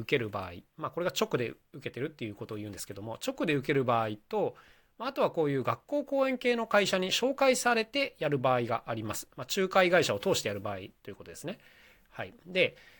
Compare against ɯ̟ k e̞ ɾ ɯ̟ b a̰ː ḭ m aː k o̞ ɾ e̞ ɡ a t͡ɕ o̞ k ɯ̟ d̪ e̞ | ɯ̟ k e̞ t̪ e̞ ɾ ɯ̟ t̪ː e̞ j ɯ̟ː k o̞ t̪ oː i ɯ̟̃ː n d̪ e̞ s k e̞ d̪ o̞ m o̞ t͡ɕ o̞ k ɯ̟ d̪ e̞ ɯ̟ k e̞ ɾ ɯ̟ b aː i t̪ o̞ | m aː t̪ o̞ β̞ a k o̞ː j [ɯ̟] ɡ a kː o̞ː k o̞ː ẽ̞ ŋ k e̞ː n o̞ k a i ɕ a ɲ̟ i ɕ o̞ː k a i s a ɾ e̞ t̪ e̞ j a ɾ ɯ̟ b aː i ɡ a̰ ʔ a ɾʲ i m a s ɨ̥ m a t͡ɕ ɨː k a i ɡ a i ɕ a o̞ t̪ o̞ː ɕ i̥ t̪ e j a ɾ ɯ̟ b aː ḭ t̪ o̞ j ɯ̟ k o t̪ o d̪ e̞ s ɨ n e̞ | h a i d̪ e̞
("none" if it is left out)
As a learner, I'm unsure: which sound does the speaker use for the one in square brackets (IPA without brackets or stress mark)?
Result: ɯ̟ː